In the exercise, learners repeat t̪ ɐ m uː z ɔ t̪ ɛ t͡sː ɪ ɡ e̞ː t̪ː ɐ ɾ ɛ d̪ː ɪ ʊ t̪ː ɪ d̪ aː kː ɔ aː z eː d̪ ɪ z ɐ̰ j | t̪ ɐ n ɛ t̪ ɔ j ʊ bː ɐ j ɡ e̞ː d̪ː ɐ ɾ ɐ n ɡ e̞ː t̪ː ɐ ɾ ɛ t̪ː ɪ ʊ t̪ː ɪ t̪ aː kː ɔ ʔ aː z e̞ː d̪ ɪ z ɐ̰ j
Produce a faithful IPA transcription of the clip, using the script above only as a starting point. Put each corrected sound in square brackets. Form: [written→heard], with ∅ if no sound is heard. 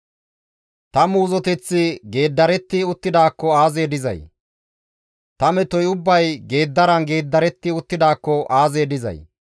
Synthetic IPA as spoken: t̪ ɐ m uː z ɔ t̪ ɛ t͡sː ɪ ɡ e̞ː [t̪ː→d̪ː] ɐ ɾ ɛ [d̪ː→t̪ː] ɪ ʊ t̪ː ɪ d̪ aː kː ɔ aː z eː d̪ ɪ z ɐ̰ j | t̪ ɐ [n→m] ɛ t̪ ɔ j ʊ bː ɐ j ɡ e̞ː d̪ː ɐ ɾ ɐ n ɡ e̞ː [t̪ː→d̪ː] ɐ ɾ ɛ t̪ː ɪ ʊ t̪ː ɪ [t̪→d̪] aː kː ɔ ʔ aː z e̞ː d̪ ɪ z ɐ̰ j

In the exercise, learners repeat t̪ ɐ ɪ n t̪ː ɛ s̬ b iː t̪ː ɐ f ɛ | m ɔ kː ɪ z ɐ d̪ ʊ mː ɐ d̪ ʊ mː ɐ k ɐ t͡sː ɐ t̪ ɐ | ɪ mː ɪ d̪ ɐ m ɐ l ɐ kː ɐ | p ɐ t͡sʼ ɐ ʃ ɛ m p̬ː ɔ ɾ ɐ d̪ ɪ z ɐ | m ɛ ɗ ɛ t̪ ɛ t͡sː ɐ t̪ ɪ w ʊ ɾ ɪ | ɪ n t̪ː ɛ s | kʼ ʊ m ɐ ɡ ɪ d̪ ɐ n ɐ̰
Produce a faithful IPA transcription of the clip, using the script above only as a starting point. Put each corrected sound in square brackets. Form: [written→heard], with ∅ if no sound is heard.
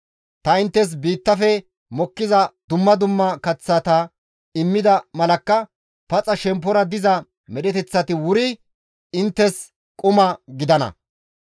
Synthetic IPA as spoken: t̪ ɐ ɪ n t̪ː ɛ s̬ b iː t̪ː ɐ f ɛ | m ɔ kː ɪ z ɐ d̪ ʊ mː ɐ d̪ ʊ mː ɐ k ɐ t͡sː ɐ t̪ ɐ | ɪ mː ɪ d̪ ɐ m ɐ l ɐ kː ɐ | p ɐ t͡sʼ ɐ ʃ ɛ m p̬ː ɔ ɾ ɐ d̪ ɪ z ɐ | m ɛ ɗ ɛ t̪ ɛ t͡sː ɐ t̪ ɪ w ʊ ɾ ɪ | ɪ n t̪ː ɛ s | kʼ ʊ m ɐ ɡ ɪ d̪ ɐ n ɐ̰

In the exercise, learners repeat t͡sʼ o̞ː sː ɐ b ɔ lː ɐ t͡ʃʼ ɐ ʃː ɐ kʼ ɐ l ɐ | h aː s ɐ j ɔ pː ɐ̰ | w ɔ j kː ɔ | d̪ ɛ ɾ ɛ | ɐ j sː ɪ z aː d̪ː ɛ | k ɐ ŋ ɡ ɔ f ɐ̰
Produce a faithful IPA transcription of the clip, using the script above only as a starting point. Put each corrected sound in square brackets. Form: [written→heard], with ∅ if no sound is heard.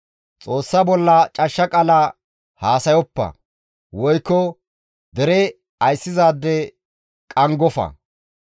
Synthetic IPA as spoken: t͡sʼ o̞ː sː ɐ b ɔ lː ɐ t͡ʃʼ ɐ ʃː ɐ kʼ ɐ l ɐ | h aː s ɐ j ɔ pː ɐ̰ | w ɔ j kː ɔ | d̪ ɛ ɾ ɛ | ɐ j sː ɪ z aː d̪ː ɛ | [k→kʼ] ɐ ŋ ɡ ɔ f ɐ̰

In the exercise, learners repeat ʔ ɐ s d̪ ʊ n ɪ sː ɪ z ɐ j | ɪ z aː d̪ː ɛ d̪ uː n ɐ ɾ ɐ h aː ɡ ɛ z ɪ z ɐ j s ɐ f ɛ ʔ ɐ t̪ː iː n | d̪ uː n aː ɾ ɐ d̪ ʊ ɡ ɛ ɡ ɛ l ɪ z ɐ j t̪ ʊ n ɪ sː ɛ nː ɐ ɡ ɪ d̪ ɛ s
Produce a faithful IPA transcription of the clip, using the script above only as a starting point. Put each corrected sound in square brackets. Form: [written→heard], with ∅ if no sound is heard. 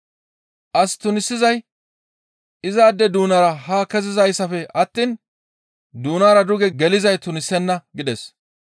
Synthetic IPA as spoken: ʔ ɐ s [d̪→t̪] ʊ n ɪ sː ɪ z ɐ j | ɪ z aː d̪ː ɛ d̪ uː n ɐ ɾ ɐ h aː [ɡ→k] ɛ z ɪ z ɐ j s ɐ f ɛ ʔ ɐ t̪ː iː n | d̪ uː n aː ɾ ɐ d̪ ʊ ɡ ɛ ɡ ɛ l ɪ z ɐ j t̪ ʊ n ɪ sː ɛ nː ɐ ɡ ɪ d̪ ɛ s

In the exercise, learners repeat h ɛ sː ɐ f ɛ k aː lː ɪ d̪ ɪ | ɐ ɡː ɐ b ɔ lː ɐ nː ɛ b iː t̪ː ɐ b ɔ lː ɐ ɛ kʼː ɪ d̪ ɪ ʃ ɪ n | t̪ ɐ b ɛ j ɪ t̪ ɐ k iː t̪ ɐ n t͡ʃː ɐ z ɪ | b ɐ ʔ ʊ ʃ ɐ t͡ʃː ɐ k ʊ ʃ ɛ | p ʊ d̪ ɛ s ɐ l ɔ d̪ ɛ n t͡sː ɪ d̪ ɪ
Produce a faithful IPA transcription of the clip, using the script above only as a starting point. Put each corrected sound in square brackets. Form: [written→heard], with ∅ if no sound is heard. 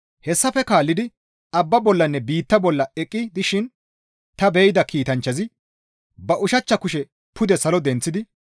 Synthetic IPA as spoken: h ɛ sː ɐ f ɛ k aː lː ɪ d̪ ɪ | ɐ [ɡː→bː] ɐ b ɔ lː ɐ nː ɛ b iː t̪ː ɐ b ɔ lː ɐ ɛ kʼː ɪ d̪ ɪ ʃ ɪ n | t̪ ɐ b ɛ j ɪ [t̪→d̪] ɐ k iː t̪ ɐ n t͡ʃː ɐ z ɪ | b ɐ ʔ ʊ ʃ ɐ t͡ʃː ɐ k ʊ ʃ ɛ | p ʊ d̪ ɛ s ɐ l ɔ d̪ ɛ n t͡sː ɪ d̪ ɪ

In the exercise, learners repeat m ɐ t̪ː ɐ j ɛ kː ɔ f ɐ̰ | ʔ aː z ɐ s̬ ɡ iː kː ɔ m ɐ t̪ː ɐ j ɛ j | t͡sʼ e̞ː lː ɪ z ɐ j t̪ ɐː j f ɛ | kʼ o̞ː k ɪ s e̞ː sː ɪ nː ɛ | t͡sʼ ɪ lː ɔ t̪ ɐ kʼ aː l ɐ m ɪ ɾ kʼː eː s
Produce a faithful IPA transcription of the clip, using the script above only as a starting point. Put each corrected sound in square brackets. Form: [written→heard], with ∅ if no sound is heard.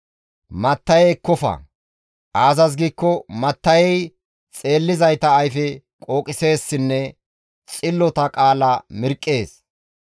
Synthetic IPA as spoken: m ɐ t̪ː ɐ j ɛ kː ɔ f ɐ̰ | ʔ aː z ɐ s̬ ɡ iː kː ɔ m ɐ t̪ː ɐ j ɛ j | t͡sʼ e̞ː lː ɪ z ɐ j t̪ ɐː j f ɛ | kʼ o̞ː [k→kʼ] ɪ s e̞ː sː ɪ nː ɛ | t͡sʼ ɪ lː ɔ t̪ ɐ kʼ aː l ɐ m ɪ ɾ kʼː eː s

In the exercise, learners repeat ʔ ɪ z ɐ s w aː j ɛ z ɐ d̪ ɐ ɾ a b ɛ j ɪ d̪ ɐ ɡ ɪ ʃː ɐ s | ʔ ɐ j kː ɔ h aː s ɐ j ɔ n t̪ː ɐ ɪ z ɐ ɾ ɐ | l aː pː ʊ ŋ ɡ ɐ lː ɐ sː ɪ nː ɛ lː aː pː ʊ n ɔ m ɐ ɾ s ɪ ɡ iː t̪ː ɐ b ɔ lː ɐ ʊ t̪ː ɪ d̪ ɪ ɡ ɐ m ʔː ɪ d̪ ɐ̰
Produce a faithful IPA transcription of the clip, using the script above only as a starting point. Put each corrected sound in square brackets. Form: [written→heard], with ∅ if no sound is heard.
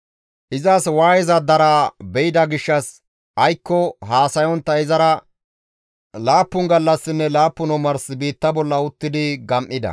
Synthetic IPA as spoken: ʔ ɪ z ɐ s w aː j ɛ z ɐ d̪ ɐ ɾ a b ɛ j ɪ d̪ ɐ ɡ ɪ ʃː ɐ s | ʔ ɐ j kː ɔ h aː s ɐ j ɔ n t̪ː ɐ ɪ z ɐ ɾ ɐ | l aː pː ʊ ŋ ɡ ɐ lː ɐ sː ɪ nː ɛ [lː→l] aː pː ʊ n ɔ m ɐ ɾ s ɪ [ɡ→b] iː t̪ː ɐ b ɔ lː ɐ ʊ t̪ː ɪ d̪ ɪ ɡ ɐ m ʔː ɪ d̪ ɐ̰

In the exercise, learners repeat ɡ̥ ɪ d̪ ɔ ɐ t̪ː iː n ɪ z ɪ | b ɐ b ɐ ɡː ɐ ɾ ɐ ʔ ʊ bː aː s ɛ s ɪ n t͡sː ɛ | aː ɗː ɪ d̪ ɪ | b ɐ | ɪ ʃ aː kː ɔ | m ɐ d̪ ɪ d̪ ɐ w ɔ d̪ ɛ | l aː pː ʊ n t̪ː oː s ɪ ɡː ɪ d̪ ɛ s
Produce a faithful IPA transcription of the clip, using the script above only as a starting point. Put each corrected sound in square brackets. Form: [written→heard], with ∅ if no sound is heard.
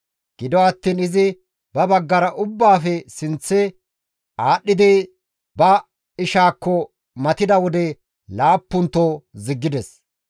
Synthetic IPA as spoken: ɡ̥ ɪ d̪ ɔ ɐ t̪ː iː n ɪ z ɪ | b ɐ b ɐ ɡː ɐ ɾ ɐ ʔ ʊ bː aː [s→f] ɛ s ɪ n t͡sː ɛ | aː ɗː ɪ d̪ ɪ | b ɐ | ɪ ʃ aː kː ɔ | m ɐ [d̪→t̪] ɪ d̪ ɐ w ɔ d̪ ɛ | l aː pː ʊ n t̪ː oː [s→z] ɪ ɡː ɪ d̪ ɛ s

